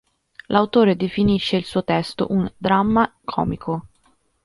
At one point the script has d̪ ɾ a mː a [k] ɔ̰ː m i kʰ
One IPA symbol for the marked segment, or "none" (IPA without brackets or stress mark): kʰ